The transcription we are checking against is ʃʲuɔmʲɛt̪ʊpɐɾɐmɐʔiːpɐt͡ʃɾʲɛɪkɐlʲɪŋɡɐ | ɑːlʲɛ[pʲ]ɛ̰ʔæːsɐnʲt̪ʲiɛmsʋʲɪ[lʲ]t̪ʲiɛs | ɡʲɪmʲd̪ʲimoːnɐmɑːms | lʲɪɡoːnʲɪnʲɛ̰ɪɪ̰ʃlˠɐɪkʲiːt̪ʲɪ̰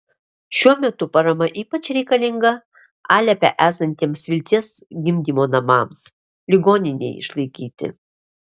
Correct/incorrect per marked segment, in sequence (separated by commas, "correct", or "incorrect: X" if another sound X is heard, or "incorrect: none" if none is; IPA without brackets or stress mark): correct, correct